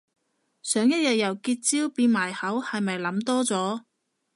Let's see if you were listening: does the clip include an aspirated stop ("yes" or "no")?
no